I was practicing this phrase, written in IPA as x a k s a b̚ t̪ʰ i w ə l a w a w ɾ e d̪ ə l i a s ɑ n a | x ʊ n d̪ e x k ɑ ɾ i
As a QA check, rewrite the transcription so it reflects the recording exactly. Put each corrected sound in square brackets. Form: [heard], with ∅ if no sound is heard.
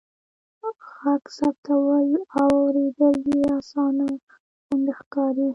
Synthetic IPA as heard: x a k s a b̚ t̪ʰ [a] w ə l a w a w ɾ e d̪ ə l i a s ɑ n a | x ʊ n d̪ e x k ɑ ɾ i